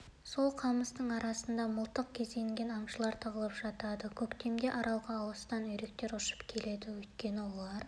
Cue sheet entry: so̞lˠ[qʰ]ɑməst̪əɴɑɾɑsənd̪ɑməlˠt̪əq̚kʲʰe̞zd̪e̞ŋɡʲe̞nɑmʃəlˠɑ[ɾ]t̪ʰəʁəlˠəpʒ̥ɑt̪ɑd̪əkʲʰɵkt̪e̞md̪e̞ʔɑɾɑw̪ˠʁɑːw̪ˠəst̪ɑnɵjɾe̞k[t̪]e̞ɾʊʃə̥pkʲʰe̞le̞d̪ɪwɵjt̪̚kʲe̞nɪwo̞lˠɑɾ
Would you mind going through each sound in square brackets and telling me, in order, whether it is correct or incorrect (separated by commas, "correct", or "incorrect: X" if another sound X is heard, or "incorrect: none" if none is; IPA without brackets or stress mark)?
correct, correct, correct